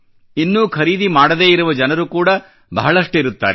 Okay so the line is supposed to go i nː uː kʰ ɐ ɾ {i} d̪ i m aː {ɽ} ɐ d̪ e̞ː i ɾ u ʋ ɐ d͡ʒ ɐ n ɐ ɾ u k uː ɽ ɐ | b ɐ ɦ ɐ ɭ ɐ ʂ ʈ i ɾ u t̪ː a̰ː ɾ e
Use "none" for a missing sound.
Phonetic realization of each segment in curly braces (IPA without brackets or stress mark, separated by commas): iː, ɽ